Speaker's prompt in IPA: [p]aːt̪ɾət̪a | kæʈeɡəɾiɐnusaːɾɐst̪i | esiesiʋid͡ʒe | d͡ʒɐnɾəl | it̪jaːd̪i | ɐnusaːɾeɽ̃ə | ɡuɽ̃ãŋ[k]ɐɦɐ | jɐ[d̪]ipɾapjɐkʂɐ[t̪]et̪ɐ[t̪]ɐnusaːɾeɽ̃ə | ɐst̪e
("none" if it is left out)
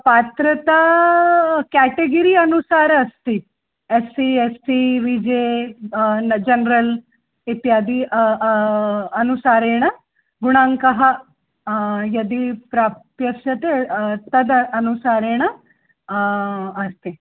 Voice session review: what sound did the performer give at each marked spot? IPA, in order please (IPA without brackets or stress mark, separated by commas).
p, k, d̪, t̪, d̪